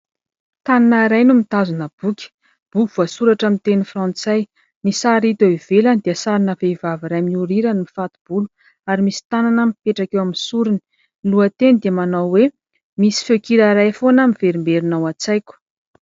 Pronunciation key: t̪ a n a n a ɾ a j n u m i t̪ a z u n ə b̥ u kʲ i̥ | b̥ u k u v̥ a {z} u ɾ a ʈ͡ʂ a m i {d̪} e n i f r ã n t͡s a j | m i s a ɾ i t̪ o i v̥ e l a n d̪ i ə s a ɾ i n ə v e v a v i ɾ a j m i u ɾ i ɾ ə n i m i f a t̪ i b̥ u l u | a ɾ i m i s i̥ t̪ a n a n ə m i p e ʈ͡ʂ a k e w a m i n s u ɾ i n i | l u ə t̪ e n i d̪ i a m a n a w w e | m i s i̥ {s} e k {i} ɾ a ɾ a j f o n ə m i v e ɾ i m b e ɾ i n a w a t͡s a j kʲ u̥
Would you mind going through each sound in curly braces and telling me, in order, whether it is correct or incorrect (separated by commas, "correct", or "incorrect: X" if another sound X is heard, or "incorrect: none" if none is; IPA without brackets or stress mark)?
incorrect: s, incorrect: t̪, incorrect: f, correct